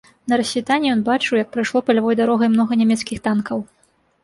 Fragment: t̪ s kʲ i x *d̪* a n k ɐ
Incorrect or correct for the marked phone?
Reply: incorrect: t̪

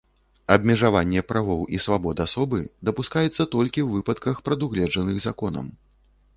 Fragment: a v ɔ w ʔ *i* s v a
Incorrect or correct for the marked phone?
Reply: correct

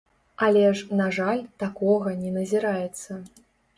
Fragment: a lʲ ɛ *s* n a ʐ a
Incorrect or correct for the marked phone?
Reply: incorrect: ʂ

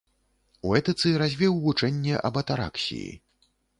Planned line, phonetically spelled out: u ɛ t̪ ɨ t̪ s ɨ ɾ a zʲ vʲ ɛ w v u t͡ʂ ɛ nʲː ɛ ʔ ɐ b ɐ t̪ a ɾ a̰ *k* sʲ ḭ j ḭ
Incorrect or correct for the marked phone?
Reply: correct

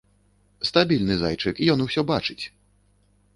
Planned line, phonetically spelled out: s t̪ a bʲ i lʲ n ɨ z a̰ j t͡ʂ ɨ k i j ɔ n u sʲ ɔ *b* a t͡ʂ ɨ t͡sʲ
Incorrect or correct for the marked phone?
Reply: correct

